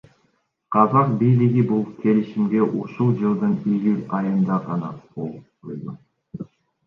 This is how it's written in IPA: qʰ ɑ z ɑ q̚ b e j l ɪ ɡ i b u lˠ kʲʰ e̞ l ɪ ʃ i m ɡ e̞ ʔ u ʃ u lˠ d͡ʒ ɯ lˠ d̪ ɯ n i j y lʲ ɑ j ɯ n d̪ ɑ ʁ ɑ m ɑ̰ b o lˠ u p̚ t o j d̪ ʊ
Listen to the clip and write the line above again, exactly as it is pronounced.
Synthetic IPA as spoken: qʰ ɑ z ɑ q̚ b i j l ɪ ɡ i b u lˠ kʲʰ e̞ l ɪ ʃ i m ɡ e̞ ʔ u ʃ u lˠ d͡ʒ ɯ lˠ d̪ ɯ n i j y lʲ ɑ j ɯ n d̪ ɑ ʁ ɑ n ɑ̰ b o lˠ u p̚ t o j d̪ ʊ